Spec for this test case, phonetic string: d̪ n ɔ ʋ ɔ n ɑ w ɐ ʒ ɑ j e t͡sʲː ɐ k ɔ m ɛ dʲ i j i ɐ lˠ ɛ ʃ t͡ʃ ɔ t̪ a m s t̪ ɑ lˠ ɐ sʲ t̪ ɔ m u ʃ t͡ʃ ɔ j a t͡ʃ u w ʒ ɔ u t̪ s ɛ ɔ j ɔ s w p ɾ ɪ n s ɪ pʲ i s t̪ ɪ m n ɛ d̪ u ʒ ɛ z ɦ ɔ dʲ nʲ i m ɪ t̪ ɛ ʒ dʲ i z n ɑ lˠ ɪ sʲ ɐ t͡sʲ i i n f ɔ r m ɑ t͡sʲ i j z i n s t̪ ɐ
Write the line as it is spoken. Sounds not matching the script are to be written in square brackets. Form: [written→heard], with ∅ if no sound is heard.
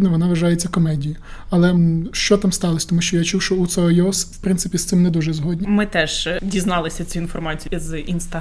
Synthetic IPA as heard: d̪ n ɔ ʋ ɔ n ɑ [w→ʋ] ɐ ʒ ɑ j e t͡sʲː ɐ k ɔ m ɛ dʲ i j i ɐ lˠ ɛ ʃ t͡ʃ ɔ t̪ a m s t̪ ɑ lˠ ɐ sʲ t̪ ɔ m u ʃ t͡ʃ ɔ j a t͡ʃ u w [ʒ→ʃ] ɔ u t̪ s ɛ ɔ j ɔ s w p ɾ ɪ n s ɪ pʲ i s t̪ ɪ m n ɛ d̪ u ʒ ɛ z ɦ ɔ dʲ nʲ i m ɪ t̪ ɛ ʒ dʲ i z n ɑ lˠ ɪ sʲ ɐ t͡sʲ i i n f ɔ r m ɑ t͡sʲ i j z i n s t̪ ɐ